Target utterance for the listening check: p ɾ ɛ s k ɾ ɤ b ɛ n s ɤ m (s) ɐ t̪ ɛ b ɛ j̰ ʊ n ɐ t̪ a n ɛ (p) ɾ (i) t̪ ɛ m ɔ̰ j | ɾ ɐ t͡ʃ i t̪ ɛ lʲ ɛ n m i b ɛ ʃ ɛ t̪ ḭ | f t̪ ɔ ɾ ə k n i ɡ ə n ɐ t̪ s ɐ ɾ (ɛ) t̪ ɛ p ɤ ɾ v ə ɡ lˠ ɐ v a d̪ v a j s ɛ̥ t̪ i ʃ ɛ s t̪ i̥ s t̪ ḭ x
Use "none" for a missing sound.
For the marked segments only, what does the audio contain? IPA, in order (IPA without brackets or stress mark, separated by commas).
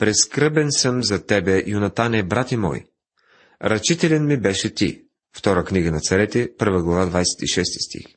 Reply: z, b, a, ɛ